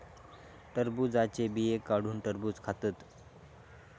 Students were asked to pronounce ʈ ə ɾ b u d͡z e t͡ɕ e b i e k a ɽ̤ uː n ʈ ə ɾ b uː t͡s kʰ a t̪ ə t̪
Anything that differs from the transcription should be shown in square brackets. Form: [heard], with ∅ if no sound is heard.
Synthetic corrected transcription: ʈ ə ɾ b u d͡z [a] t͡ɕ e b i e k a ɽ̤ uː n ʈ ə ɾ b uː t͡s kʰ a t̪ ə t̪